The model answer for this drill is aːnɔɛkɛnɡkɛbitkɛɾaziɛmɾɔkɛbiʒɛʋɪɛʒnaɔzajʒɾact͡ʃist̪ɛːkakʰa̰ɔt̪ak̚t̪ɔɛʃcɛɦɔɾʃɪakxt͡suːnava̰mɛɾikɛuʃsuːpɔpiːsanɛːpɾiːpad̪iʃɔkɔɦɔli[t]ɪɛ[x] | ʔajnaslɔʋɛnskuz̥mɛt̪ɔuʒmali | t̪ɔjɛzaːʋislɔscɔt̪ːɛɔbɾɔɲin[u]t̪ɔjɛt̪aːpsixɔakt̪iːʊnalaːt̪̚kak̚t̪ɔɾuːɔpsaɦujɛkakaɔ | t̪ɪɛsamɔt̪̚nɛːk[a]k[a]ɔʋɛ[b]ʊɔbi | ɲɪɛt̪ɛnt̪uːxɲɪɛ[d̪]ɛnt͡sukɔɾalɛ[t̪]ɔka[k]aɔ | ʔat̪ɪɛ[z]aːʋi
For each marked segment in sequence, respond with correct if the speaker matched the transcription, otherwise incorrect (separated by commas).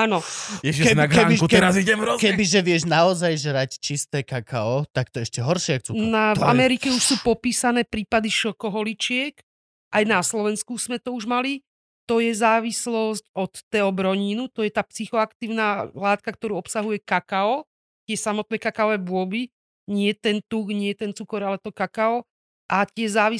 incorrect, incorrect, correct, correct, correct, correct, incorrect, correct, correct, correct